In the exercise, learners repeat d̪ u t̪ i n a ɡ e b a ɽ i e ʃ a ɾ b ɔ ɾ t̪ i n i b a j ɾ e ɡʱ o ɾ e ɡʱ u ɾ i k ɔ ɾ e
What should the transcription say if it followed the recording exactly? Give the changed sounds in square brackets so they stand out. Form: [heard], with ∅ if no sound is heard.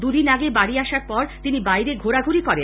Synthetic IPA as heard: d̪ u [d̪] i n a ɡ e b a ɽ i [a] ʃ a ɾ [p] ɔ ɾ t̪ i n i b a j ɾ e ɡʱ o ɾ [a] ɡʱ u ɾ i k ɔ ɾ e